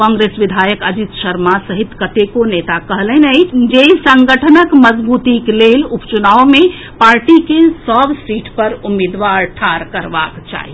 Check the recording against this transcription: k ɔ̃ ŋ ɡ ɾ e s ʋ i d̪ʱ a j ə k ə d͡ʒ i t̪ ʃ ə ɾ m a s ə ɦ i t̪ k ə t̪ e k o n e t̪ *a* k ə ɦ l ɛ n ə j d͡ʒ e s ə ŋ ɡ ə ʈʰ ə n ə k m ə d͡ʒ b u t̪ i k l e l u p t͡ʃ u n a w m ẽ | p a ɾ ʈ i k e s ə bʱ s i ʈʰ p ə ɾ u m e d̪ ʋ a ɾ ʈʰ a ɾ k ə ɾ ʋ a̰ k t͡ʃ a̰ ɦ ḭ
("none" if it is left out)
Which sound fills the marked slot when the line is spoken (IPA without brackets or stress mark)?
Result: a